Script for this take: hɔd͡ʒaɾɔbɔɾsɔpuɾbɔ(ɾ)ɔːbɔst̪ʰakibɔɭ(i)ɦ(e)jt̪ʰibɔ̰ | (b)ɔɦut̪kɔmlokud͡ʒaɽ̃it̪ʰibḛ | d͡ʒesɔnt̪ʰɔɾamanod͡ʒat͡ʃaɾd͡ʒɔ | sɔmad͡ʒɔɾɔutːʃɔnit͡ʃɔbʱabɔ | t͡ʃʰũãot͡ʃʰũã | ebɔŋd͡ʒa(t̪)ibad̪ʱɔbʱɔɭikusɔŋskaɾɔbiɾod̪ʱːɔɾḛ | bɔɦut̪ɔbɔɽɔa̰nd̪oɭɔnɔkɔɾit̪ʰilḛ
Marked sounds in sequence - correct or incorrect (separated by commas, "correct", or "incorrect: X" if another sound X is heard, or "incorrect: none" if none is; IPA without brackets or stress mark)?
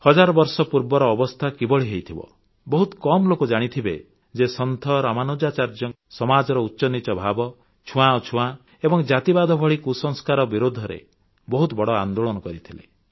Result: correct, correct, correct, correct, correct